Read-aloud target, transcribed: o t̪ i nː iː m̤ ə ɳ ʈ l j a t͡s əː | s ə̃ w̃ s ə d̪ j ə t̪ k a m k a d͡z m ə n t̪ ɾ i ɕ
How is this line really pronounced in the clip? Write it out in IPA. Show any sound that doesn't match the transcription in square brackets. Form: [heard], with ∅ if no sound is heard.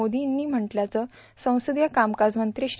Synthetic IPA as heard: o [d̪] i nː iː m̤ ə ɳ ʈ l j a t͡s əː | s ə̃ w̃ s ə d̪ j ə [∅] k a m k a d͡z m ə n t̪ ɾ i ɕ